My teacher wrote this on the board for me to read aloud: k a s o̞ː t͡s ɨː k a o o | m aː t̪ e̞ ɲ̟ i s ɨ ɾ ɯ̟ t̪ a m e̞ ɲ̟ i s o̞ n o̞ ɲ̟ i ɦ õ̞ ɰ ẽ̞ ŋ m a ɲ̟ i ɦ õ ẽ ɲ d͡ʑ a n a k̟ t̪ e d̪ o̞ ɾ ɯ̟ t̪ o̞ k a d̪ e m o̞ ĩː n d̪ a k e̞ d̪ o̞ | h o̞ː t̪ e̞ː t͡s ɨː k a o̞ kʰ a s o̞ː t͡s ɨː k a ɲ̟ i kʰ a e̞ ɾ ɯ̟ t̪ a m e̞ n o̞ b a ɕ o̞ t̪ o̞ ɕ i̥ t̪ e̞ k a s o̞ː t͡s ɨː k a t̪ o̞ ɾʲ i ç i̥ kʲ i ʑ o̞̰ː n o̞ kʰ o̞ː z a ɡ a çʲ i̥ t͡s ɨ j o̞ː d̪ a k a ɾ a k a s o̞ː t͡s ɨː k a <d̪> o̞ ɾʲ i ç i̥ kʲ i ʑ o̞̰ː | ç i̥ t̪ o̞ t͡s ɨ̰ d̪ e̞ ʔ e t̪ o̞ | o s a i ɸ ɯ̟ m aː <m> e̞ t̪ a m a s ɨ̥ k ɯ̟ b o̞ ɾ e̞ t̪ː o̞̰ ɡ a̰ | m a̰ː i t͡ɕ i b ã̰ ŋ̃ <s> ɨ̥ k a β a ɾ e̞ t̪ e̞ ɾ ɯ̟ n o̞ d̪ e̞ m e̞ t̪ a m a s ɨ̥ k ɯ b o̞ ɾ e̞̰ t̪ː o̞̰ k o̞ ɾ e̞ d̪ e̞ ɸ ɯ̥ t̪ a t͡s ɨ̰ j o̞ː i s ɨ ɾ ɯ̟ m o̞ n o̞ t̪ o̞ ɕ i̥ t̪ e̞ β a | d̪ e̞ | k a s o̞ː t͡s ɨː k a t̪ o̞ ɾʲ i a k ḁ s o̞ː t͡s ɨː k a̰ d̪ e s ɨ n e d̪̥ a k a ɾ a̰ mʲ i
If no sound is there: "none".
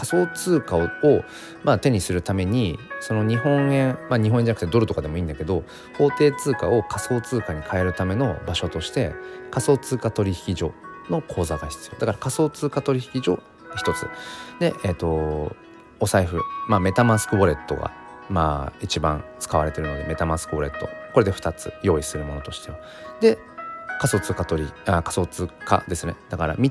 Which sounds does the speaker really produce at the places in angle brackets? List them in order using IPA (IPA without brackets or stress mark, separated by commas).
t̪, m, t͡s